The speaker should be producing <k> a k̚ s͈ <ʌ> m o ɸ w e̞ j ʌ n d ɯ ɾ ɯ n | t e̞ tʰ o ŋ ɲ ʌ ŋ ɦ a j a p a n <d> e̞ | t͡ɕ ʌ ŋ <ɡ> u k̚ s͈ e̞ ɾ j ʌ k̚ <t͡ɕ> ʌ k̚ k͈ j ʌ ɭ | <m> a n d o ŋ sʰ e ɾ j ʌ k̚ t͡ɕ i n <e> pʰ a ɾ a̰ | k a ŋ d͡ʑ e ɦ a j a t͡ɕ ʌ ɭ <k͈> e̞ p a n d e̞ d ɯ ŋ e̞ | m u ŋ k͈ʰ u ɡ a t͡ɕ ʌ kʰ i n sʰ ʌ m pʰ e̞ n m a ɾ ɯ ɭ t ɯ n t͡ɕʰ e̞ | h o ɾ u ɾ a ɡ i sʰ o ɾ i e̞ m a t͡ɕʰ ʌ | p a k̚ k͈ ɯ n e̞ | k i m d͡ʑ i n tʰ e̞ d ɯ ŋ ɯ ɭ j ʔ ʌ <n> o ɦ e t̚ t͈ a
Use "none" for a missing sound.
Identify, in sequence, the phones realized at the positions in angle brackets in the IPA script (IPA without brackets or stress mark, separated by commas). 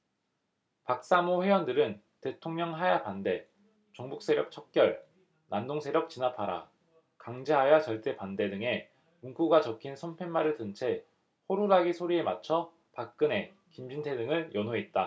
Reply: p, a, d, b, t͡ɕʰ, n, a, t͈, n